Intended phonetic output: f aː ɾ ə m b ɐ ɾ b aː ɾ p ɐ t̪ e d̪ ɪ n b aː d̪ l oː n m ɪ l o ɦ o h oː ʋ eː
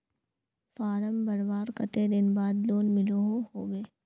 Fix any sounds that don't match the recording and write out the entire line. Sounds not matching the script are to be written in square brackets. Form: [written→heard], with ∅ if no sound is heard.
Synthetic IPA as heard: f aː ɾ ə m b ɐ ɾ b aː ɾ [p→k] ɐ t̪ e d̪ ɪ n b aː d̪ l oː n m ɪ l o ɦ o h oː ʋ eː